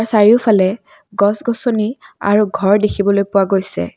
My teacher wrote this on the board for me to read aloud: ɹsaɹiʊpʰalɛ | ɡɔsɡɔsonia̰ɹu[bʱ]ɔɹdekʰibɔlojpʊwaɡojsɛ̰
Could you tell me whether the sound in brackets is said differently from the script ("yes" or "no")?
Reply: yes